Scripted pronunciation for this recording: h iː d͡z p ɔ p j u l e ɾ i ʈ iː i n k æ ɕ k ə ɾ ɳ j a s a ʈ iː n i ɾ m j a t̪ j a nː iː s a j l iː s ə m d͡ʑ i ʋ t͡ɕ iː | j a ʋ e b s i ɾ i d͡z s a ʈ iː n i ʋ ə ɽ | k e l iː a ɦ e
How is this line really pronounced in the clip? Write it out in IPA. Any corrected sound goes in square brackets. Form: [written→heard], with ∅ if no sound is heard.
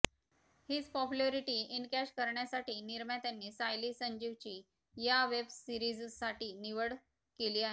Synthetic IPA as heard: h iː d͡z p ɔ p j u l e ɾ i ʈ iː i n k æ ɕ k ə ɾ ɳ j a s a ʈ iː n i ɾ m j a t̪ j a nː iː s a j l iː s ə [m→ɲ] d͡ʑ i ʋ t͡ɕ iː | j a ʋ e b s i ɾ i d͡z s a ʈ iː n i ʋ ə ɽ | k e l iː a ɦ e